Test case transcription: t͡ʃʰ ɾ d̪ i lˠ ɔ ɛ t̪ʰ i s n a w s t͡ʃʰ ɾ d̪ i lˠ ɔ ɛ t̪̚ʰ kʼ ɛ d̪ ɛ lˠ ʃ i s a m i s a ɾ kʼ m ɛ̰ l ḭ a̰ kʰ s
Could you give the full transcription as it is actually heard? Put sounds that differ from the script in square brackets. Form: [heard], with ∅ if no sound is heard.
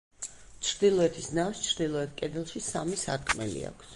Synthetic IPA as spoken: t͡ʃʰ ɾ d̪ i lˠ ɔ ɛ t̪ʰ i s n a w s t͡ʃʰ ɾ d̪ i lˠ ɔ ɛ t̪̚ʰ kʼ ɛ d̪ ɛ lˠ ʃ i s a m i s a ɾ kʼ m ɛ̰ l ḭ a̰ kʰ s